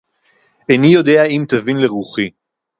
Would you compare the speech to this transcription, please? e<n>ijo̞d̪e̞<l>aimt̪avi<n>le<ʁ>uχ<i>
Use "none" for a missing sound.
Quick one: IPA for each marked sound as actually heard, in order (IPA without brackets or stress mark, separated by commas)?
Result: n, none, n, ʁ, i